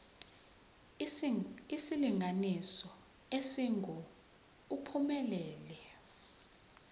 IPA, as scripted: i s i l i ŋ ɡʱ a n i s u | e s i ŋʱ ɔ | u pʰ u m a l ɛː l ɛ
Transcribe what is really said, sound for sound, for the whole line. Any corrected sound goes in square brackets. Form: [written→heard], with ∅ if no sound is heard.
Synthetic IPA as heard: i s i l i ŋ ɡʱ a n i s [u→ɔ] | e s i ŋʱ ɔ | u pʰ u m [a→ɛ] l ɛː l ɛ